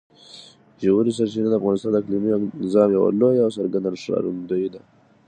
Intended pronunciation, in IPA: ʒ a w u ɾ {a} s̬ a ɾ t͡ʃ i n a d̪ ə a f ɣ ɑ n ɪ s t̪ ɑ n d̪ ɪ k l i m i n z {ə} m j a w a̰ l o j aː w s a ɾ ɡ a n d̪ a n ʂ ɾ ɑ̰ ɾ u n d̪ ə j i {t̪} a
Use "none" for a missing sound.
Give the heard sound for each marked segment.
i, ɑ, d̪

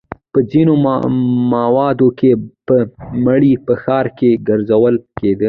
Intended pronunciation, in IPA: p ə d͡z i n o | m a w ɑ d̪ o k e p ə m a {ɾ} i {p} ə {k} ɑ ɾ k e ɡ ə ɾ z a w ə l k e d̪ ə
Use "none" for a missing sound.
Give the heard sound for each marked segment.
ɽ, p, x

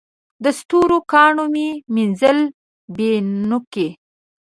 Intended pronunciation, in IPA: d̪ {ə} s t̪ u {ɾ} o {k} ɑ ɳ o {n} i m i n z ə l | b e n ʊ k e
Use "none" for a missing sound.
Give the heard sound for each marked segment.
ə, ɾ, k, m

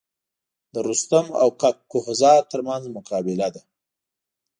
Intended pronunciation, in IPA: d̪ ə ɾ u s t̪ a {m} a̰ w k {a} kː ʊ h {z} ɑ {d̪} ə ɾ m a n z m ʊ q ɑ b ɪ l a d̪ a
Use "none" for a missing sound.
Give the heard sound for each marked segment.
m, a, z, t̪

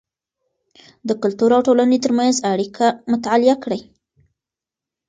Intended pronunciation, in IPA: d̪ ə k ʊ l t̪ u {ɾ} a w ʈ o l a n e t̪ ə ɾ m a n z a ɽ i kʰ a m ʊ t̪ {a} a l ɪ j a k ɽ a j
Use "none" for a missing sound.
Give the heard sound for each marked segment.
ɾ, a

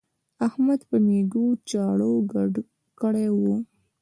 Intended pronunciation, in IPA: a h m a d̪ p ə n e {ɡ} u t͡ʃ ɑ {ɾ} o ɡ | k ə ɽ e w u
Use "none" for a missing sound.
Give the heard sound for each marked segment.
ɡ, ɽ

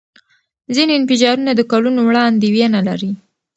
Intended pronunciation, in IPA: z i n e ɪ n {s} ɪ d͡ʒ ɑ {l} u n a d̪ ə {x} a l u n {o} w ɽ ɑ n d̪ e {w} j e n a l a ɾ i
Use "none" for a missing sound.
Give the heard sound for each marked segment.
f, ɾ, k, o, w

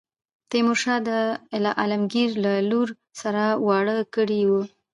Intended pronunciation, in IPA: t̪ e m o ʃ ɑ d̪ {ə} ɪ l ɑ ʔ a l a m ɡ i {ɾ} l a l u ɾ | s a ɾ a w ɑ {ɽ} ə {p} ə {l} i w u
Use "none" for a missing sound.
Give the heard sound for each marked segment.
ə, ɾ, ɽ, k, ɽ

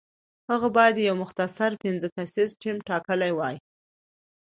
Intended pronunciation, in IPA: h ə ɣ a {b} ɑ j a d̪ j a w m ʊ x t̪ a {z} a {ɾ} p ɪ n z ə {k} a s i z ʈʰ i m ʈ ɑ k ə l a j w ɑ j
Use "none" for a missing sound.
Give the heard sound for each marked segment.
b, s, ɾ, k

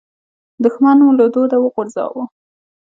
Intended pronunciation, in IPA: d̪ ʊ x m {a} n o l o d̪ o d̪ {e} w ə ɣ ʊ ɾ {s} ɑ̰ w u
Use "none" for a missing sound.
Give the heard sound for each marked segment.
a, a, z

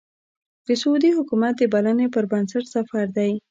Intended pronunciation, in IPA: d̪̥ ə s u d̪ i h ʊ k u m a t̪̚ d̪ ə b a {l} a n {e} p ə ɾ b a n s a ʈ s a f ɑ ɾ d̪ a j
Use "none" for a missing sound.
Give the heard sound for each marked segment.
l, e

